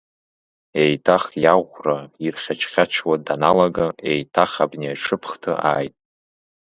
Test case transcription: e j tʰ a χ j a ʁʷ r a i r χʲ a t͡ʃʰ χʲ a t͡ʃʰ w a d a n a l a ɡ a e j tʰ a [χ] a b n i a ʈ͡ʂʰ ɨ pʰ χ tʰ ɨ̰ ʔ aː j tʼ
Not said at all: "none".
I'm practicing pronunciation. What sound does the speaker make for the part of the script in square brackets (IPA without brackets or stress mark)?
χ